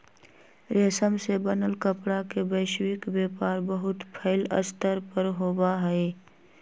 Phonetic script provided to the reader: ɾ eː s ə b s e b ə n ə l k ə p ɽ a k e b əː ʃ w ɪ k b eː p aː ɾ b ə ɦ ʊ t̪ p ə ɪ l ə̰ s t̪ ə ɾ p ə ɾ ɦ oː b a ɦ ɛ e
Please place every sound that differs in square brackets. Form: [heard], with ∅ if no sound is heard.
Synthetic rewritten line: ɾ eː s ə [m] s e b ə n ə l k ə p ɽ a k e b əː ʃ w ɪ k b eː p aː ɾ b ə ɦ ʊ t̪ [pʰ] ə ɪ l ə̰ s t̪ ə ɾ p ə ɾ ɦ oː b a ɦ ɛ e